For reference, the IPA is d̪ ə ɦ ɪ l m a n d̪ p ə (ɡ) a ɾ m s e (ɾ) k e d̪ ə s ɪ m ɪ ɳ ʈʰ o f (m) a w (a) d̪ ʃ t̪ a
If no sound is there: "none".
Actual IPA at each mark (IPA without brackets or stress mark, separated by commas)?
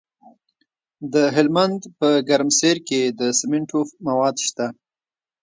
ɡ, ɾ, m, ɑ